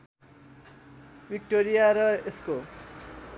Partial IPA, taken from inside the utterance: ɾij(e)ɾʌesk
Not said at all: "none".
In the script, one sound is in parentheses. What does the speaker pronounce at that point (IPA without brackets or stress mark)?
a